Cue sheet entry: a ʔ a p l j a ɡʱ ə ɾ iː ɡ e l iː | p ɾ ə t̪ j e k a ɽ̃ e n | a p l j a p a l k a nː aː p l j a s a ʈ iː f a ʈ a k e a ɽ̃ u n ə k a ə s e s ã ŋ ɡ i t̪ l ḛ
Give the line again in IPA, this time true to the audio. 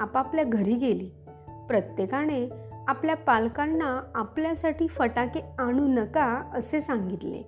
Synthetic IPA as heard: a p a p l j a ɡʱ ə ɾ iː ɡ e l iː | p ɾ ə t̪ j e k a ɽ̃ e | a p l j a p a l k a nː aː p l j a s a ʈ iː f ə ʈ a k e a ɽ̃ u n ə k a ə s e s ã ŋ ɡ i t̪ l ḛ